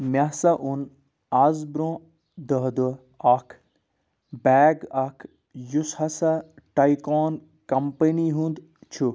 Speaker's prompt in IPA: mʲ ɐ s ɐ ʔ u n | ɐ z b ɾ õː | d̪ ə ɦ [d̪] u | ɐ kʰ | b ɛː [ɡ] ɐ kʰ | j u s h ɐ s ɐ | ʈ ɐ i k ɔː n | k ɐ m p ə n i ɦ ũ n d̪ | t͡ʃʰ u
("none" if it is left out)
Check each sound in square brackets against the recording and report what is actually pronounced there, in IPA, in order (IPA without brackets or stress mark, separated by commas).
d̪, ɡ